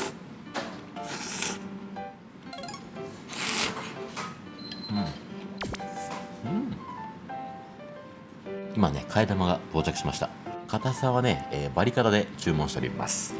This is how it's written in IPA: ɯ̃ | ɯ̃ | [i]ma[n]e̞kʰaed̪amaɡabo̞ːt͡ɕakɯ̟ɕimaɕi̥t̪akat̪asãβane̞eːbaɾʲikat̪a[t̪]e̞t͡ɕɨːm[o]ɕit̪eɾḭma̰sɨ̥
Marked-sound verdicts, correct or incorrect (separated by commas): correct, correct, incorrect, incorrect